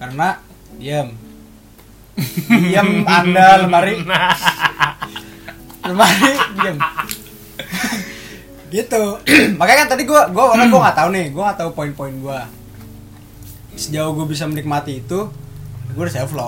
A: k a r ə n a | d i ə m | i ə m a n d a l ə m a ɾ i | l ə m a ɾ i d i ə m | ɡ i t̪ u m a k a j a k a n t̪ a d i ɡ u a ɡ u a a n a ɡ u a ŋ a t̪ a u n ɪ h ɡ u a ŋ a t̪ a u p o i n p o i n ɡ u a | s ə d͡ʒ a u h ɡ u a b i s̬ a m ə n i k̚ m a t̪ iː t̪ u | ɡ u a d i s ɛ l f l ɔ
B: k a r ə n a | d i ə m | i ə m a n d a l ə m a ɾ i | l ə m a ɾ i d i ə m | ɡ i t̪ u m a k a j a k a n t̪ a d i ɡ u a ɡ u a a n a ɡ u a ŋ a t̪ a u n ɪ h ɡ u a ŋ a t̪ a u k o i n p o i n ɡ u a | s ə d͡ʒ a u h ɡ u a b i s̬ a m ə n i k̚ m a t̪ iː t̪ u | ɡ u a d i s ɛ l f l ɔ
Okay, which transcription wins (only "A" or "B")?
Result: A